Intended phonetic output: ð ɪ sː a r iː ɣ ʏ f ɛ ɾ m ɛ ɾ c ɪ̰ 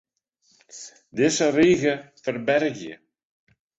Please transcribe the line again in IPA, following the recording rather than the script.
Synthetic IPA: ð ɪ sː a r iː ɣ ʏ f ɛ ɾ b ɛ ɾ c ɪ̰